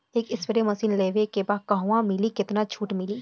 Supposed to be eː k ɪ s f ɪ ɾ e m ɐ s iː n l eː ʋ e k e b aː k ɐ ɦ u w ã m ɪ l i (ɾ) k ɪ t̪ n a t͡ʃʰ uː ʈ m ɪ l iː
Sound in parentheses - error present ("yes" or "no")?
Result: yes